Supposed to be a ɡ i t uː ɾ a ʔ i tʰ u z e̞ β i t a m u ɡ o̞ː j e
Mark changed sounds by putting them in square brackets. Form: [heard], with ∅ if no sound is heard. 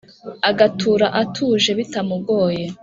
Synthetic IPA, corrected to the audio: a ɡ [a] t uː ɾ a ʔ [a] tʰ u [ʒ] e̞ β i t a m u ɡ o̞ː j e